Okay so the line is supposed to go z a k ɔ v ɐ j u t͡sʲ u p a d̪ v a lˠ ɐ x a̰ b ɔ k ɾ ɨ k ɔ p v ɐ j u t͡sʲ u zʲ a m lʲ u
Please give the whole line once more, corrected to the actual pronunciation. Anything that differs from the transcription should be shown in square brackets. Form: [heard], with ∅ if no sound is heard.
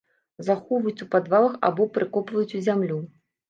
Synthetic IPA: z a [x] ɔ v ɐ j u t͡sʲ u p a d̪ v a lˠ ɐ x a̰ b ɔ [p] ɾ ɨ k ɔ p v ɐ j u t͡sʲ u zʲ a m lʲ u